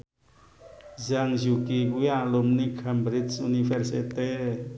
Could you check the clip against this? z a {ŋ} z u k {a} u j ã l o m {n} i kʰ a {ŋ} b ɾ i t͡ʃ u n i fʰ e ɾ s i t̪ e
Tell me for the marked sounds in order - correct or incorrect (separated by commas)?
correct, incorrect, correct, incorrect